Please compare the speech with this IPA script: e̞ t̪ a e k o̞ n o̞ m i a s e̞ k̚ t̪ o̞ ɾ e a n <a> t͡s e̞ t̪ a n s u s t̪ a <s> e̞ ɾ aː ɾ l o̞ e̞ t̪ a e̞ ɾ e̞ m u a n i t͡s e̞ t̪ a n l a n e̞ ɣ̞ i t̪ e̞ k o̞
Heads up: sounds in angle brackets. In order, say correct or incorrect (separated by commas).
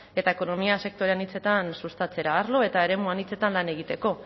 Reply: incorrect, incorrect